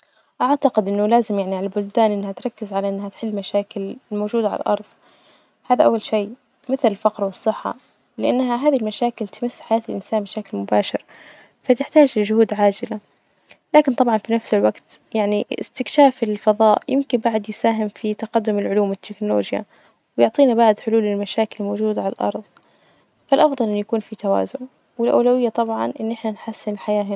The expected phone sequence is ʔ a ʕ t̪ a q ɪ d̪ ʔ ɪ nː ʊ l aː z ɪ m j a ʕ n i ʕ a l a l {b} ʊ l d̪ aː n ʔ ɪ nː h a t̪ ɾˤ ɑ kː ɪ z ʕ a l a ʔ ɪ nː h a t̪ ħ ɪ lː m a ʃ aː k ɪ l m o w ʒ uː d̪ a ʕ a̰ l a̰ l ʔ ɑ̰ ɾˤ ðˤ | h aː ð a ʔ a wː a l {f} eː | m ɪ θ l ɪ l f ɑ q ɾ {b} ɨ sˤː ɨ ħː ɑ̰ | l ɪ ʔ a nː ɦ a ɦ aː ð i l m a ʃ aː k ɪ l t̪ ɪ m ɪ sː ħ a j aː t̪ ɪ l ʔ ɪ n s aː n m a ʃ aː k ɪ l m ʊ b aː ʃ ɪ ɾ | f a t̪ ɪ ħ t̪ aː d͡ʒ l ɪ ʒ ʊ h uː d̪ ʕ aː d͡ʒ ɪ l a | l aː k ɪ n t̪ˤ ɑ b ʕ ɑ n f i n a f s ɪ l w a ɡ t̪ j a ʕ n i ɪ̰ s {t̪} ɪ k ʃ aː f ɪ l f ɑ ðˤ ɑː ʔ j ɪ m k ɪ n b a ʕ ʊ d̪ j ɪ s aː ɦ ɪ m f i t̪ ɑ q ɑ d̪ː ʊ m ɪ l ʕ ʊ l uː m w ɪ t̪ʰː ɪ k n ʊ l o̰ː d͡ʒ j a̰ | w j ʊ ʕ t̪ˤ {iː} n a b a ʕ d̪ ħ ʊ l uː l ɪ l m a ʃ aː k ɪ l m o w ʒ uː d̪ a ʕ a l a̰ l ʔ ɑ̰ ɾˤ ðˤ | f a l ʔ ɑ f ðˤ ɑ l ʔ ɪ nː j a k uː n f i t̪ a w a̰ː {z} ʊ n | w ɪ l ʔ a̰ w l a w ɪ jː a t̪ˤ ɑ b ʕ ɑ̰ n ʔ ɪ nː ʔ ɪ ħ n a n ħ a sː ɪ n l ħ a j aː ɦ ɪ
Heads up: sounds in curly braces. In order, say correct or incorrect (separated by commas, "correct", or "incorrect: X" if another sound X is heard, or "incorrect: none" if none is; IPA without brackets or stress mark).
correct, incorrect: ʃ, incorrect: w, correct, correct, correct